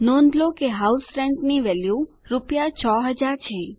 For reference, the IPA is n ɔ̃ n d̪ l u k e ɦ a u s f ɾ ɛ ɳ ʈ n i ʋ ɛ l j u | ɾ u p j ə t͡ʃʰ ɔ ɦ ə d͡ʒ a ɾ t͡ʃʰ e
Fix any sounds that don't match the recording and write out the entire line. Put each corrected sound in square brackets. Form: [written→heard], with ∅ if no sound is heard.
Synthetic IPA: n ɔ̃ n d̪ l [u→o] k e ɦ a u s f ɾ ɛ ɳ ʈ n i ʋ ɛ l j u | ɾ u p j [ə→a] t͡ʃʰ ɔ ɦ ə d͡ʒ a ɾ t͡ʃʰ e